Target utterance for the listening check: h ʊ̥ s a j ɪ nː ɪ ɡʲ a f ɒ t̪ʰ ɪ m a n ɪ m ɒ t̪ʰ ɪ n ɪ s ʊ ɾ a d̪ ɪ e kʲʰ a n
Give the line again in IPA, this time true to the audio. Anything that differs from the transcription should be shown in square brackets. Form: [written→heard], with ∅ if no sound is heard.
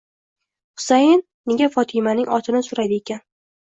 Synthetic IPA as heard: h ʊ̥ s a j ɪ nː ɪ ɡʲ a f ɒ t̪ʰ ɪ m a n ɪ [m→ŋ] ɒ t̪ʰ ɪ n ɪ s ʊ ɾ a d̪ ɪ e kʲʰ a n